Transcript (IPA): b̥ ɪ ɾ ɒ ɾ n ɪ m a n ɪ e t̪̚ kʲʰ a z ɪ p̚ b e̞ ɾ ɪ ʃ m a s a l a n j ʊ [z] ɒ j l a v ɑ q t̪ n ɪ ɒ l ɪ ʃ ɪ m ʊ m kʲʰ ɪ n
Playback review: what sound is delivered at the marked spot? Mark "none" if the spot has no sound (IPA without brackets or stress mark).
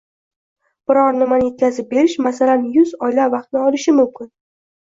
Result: z